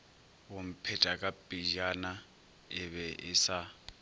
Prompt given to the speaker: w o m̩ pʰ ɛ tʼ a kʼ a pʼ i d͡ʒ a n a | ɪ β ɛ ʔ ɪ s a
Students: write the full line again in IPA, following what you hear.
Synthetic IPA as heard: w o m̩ pʰ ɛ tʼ a kʼ a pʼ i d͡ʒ a n a | ɪ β ɛ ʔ ɪ s a

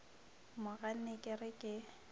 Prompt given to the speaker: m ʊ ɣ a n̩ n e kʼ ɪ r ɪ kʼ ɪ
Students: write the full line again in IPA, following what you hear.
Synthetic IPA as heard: m ʊ ɣ a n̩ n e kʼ ɪ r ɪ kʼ ɪ

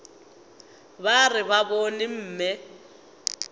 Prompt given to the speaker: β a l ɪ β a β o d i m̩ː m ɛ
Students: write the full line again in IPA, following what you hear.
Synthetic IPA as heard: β a r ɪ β a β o n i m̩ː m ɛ

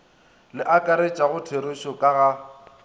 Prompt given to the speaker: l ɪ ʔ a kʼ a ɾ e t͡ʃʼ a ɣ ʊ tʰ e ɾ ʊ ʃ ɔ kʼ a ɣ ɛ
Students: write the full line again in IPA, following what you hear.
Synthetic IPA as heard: l ɪ ʔ a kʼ a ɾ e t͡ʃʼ a ɣ ʊ tʰ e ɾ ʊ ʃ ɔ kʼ a ɣ a

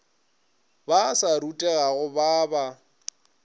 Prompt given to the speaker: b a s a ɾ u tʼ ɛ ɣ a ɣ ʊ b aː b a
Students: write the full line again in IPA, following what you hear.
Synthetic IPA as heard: b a s a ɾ u tʼ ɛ ɣ a ɣ ʊ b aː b a

